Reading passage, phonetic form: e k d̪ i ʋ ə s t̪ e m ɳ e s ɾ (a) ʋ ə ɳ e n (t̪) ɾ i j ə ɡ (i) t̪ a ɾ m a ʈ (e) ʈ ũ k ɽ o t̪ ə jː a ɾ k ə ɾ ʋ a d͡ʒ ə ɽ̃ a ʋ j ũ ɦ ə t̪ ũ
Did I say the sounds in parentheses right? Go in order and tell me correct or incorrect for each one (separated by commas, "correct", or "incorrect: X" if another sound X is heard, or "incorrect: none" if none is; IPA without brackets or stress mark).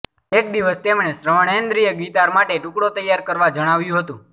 incorrect: ə, incorrect: d̪, correct, correct